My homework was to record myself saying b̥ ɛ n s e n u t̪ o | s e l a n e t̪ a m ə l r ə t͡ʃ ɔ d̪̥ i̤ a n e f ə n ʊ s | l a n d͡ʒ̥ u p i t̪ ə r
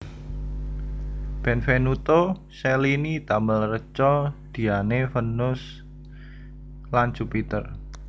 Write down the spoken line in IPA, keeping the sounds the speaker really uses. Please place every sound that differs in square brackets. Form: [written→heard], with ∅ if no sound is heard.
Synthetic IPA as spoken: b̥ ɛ n [s→f] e n u t̪ o | s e l [a→i] n [e→i] t̪ a m ə l r ə t͡ʃ ɔ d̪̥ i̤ a n e f ə n ʊ s | l a n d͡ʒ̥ u p i t̪ ə r